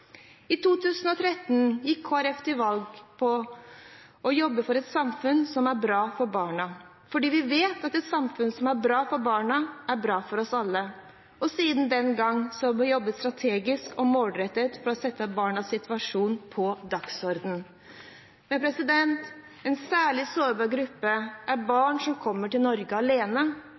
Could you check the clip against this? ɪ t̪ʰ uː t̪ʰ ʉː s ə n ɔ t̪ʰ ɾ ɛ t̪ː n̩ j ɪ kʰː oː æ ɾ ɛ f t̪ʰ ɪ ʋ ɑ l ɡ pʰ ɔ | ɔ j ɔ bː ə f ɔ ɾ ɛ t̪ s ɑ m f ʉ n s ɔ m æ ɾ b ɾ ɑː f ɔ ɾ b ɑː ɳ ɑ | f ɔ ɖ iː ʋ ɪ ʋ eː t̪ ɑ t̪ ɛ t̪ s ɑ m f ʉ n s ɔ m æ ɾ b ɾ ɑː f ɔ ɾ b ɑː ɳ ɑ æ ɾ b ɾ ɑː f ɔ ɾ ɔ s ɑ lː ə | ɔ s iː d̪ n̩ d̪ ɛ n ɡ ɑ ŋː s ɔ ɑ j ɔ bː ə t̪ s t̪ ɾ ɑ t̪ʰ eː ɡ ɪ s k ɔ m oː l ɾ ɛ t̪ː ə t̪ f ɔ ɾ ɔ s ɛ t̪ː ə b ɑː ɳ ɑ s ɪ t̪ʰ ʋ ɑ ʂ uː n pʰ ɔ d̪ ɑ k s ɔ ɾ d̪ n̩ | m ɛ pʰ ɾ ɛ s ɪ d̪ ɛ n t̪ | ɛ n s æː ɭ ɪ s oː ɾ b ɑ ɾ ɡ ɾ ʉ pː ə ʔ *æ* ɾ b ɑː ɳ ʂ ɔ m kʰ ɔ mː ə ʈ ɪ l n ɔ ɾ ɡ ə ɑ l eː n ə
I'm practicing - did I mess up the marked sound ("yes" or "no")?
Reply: no